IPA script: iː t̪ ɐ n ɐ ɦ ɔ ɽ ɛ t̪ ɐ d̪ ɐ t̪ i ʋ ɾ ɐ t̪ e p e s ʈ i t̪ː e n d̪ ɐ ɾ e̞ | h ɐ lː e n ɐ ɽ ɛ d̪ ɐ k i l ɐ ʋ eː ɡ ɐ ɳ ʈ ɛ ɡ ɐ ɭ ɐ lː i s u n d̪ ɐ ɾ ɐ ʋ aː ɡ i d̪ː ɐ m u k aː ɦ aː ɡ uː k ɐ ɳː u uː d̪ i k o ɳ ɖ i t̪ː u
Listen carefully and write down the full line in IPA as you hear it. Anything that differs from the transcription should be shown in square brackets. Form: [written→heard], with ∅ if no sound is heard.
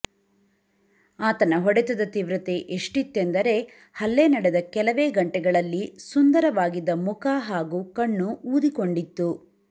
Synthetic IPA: [iː→aː] t̪ ɐ n ɐ ɦ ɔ ɽ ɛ t̪ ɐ d̪ ɐ t̪ i ʋ ɾ ɐ t̪ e [p→ʔ] e [s→ʂ] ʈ i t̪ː e n d̪ ɐ ɾ e̞ | h ɐ lː e n ɐ ɽ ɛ d̪ ɐ k [i→ɛ] l ɐ ʋ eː ɡ ɐ ɳ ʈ ɛ ɡ ɐ ɭ ɐ lː i s u n d̪ ɐ ɾ ɐ ʋ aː ɡ i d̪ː ɐ m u k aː ɦ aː ɡ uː k ɐ ɳː u uː d̪ i k o ɳ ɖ i t̪ː u

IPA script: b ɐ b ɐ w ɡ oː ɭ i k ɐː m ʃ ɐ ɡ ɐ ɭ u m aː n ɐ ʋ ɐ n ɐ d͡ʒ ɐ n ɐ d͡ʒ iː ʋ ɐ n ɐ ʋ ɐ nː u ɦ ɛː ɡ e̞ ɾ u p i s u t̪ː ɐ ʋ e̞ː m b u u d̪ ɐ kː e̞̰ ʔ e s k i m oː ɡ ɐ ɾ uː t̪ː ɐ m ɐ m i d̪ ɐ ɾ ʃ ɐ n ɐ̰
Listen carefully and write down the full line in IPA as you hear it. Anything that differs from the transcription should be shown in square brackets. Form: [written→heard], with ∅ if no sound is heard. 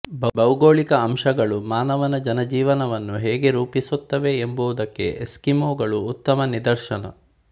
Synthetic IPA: b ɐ b ɐ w ɡ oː ɭ i k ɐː m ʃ ɐ ɡ ɐ ɭ u m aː n ɐ ʋ ɐ n ɐ d͡ʒ ɐ n ɐ d͡ʒ iː ʋ ɐ n ɐ ʋ ɐ nː u ɦ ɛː ɡ e̞ ɾ [u→uː] p i s u t̪ː ɐ ʋ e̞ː m b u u d̪ ɐ kː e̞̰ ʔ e s k i m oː ɡ ɐ [ɾ→ɭ] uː t̪ː ɐ m ɐ [m→n] i d̪ ɐ ɾ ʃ ɐ n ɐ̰

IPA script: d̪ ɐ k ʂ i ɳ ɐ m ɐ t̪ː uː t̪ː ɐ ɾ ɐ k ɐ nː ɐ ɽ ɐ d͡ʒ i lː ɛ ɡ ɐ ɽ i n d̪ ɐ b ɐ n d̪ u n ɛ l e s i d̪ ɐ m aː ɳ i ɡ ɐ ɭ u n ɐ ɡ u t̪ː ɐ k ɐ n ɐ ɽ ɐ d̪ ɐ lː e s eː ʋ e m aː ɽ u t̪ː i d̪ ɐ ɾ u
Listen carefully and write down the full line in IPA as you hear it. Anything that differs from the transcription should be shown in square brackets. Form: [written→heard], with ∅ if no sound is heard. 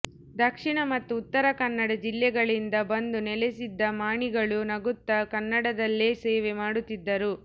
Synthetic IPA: d̪ ɐ k ʂ i ɳ ɐ m ɐ t̪ː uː t̪ː ɐ ɾ ɐ k ɐ nː ɐ ɽ ɐ d͡ʒ i lː ɛ ɡ ɐ [ɽ→ɭ] i n d̪ ɐ b ɐ n d̪ u n ɛ l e s i [d̪→d̪ː] ɐ m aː ɳ i ɡ ɐ ɭ u n ɐ ɡ u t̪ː ɐ k ɐ [n→nː] ɐ ɽ ɐ d̪ ɐ lː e s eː ʋ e m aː ɽ u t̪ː i [d̪→d̪ː] ɐ ɾ u

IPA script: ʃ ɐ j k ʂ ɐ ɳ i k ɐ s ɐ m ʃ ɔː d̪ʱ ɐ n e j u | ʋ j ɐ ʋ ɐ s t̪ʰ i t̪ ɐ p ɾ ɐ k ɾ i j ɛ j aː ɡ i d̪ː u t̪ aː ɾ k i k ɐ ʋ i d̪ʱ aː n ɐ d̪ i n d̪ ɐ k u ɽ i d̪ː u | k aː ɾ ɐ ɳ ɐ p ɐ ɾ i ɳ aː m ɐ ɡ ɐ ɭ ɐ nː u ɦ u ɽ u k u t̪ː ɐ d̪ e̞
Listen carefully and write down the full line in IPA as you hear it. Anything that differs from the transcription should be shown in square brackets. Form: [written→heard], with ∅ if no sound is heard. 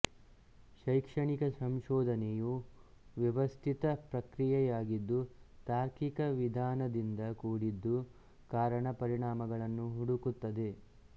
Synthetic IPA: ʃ ɐ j k ʂ ɐ ɳ i k ɐ s ɐ m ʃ ɔː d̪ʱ ɐ n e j u | ʋ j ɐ ʋ ɐ s t̪ʰ i t̪ ɐ p ɾ ɐ k ɾ i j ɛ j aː ɡ i d̪ː u t̪ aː ɾ k i k ɐ ʋ i d̪ʱ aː n ɐ d̪ i n d̪ ɐ k [u→uː] ɽ i d̪ː u | k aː ɾ ɐ ɳ ɐ p ɐ ɾ i ɳ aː m ɐ ɡ ɐ ɭ ɐ nː u ɦ u ɽ u k u t̪ː ɐ d̪ e̞

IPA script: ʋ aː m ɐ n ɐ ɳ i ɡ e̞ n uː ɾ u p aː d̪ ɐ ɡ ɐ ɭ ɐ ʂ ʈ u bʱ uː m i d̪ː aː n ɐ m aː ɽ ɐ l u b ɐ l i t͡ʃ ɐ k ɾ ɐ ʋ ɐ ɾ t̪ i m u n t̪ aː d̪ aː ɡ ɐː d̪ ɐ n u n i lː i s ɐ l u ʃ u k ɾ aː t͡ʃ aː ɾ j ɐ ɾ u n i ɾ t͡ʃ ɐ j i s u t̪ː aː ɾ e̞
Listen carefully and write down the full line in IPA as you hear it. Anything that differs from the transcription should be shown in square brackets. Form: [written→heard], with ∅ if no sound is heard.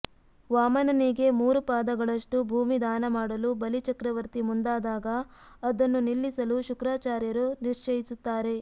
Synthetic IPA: ʋ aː m ɐ n ɐ [ɳ→n] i ɡ e̞ [n→m] uː ɾ u p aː d̪ ɐ ɡ ɐ ɭ ɐ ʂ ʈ u bʱ uː m i [d̪ː→d̪] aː n ɐ m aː ɽ ɐ l u b ɐ l i t͡ʃ ɐ k ɾ ɐ ʋ ɐ ɾ t̪ i m u n [t̪→d̪] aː d̪ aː ɡ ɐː d̪ ɐ [n→nː] u n i lː i s ɐ l u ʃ u k ɾ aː t͡ʃ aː ɾ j ɐ ɾ u n i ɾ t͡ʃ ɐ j i s u t̪ː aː ɾ e̞

